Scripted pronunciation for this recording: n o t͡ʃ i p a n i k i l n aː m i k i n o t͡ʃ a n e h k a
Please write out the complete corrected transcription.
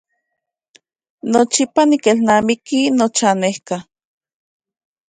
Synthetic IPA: n o t͡ʃ i p a n i k e l n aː m i k i n o t͡ʃ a n e h k a